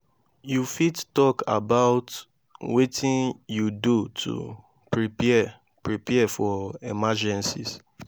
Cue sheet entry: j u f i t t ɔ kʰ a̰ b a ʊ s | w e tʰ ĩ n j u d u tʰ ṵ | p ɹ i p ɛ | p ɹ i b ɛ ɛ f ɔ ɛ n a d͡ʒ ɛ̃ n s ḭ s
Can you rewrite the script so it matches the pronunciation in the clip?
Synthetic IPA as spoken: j u f i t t ɔ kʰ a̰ b a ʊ t | w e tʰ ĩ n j u d u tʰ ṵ | p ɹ i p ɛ | p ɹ i p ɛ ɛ f ɔ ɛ m a d͡ʒ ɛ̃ n s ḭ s